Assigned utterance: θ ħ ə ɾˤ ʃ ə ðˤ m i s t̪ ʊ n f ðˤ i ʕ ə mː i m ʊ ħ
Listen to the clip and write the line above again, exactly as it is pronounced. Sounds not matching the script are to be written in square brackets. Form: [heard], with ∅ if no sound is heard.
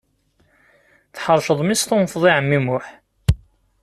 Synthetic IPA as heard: θ ħ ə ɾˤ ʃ ə ðˤ m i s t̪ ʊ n f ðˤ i ʕ ə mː i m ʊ ħ